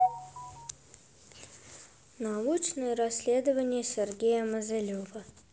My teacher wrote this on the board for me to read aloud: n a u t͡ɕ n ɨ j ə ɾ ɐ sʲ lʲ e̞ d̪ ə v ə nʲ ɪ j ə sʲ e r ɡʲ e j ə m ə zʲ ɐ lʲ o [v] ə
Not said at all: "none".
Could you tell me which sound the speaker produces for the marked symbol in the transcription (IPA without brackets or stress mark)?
v